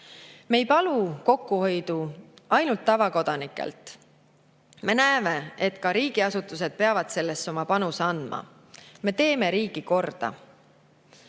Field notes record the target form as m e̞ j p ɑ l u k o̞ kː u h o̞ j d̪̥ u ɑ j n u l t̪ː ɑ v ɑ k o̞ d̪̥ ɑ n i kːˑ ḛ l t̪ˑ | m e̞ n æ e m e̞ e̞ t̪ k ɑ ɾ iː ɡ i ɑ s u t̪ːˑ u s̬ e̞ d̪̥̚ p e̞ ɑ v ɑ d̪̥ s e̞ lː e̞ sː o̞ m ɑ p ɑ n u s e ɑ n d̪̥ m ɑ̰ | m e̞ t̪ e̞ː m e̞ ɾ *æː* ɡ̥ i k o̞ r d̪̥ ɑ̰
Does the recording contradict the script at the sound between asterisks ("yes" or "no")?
yes